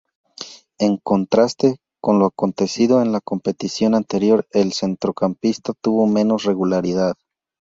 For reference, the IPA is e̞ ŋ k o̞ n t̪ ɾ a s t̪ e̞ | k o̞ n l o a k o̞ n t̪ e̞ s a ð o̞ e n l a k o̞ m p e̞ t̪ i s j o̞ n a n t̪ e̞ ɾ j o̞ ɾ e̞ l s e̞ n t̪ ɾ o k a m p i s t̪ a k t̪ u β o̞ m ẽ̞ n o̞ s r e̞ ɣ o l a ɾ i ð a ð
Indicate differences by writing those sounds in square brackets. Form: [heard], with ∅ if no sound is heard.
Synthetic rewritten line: e̞ ŋ k o̞ n t̪ ɾ a s t̪ e̞ | k o̞ n l o a k o̞ n t̪ e̞ s [i] ð o̞ e n l a k o̞ m p e̞ t̪ i s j o̞ n a n t̪ e̞ ɾ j o̞ ɾ e̞ l s e̞ n t̪ ɾ o k a m p i s t̪ a [∅] t̪ u β o̞ m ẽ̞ n o̞ s r e̞ ɣ [u] l a ɾ i ð a ð

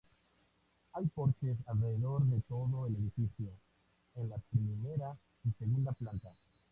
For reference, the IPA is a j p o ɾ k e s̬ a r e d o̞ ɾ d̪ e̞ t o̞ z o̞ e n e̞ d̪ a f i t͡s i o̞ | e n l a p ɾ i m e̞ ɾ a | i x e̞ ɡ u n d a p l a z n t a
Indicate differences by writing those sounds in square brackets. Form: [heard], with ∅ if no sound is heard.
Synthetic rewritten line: a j p o ɾ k e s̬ a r e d o̞ ɾ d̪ e̞ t o̞ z o̞ e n e̞ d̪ [i] f i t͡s i o̞ | e n l a p ɾ i m e̞ ɾ a | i [s] e̞ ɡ u n d a p l a [∅] n t a

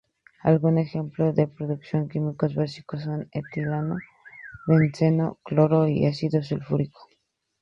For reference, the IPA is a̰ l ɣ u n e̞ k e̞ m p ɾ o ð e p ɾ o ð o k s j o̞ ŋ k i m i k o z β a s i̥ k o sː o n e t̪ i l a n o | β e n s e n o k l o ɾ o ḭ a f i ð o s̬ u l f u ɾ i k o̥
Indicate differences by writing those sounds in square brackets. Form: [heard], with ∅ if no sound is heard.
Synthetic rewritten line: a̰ l ɣ u n e̞ [x] e̞ m p [l] o ð e p ɾ o ð [u] k s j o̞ ŋ k i m i k o z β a s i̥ k o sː o n e t̪ i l a n o | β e n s e n o k l o ɾ o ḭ a [s] i ð o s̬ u l f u ɾ i k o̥

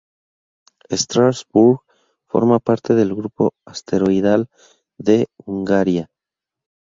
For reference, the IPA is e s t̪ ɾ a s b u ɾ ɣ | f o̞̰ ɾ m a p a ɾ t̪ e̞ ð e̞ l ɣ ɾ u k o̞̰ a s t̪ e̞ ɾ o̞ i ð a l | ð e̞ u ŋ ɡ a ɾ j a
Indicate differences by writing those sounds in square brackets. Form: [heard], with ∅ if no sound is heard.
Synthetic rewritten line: e s t̪ ɾ a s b u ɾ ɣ | f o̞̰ ɾ m a p a ɾ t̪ e̞ ð e̞ l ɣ ɾ u [p] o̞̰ a s t̪ e̞ ɾ o̞ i ð a l | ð e̞ u ŋ ɡ a ɾ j a

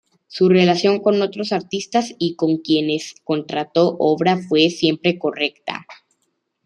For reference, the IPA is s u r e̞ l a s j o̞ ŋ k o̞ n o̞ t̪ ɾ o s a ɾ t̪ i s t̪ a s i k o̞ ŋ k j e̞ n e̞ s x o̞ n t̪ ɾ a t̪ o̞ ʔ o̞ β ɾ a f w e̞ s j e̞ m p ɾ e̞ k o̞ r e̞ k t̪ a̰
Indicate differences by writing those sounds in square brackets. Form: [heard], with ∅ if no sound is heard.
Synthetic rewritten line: s u r e̞ l a s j o̞ ŋ k o̞ n o̞ t̪ ɾ o s a ɾ t̪ i s t̪ a s i k o̞ ŋ k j e̞ n e̞ s [k] o̞ n t̪ ɾ a t̪ o̞ ʔ o̞ β ɾ a f w e̞ s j e̞ m p ɾ e̞ k o̞ r e̞ k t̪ a̰

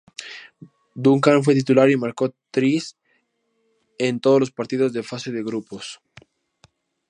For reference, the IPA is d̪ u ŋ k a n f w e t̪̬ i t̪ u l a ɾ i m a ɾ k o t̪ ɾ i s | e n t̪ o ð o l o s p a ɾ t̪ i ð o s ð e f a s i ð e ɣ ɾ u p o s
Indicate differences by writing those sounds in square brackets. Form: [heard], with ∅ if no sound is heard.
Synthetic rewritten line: d̪ u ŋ k a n f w e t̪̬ i t̪ u l a ɾ i m a ɾ k o t̪ ɾ i s | e n t̪ o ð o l o s p a ɾ t̪ i ð o [z] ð e f a s [e] ð e ɣ ɾ u p o s

